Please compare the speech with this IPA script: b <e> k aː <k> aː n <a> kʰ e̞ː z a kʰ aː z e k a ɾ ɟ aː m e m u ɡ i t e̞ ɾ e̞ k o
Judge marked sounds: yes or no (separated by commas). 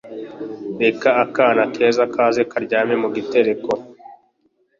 yes, yes, yes